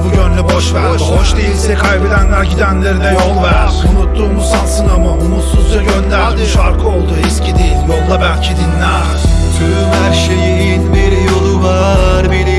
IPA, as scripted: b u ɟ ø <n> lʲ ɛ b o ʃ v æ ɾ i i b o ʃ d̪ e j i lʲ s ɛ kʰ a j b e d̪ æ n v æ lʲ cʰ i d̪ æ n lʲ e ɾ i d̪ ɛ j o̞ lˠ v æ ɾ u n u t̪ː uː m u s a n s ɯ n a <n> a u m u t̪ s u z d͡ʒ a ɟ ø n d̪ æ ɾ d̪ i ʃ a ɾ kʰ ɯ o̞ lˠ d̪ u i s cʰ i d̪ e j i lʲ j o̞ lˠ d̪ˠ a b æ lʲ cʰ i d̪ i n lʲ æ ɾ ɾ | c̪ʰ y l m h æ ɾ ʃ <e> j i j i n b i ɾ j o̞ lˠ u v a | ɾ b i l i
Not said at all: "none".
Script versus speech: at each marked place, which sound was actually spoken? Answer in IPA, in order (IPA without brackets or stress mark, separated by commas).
n, m, e